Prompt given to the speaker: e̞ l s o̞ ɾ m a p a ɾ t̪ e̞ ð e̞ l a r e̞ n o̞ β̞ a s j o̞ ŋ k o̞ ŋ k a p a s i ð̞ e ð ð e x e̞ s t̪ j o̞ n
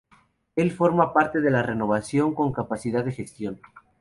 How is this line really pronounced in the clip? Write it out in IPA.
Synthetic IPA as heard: e̞ l f o̞ ɾ m a p a ɾ t̪ e̞ ð e̞ l a r e̞ n o̞ β̞ a s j o̞ ŋ k o̞ ŋ k a p a s i ð̞ a ð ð e x e̞ s t̪ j o̞ n